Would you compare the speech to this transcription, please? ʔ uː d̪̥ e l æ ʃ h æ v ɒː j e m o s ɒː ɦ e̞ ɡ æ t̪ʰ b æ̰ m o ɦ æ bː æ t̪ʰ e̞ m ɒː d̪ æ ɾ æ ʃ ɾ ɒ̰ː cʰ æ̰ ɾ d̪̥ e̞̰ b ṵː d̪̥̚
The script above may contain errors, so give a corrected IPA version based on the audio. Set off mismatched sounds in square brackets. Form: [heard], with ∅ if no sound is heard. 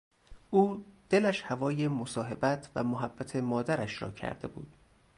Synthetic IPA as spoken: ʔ uː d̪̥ e l æ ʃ h æ v ɒː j e m o s ɒː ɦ e̞ [b] æ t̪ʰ [v] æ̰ m o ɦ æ bː æ t̪ʰ e̞ m ɒː d̪ æ ɾ æ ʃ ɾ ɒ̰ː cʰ æ̰ ɾ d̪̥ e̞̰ b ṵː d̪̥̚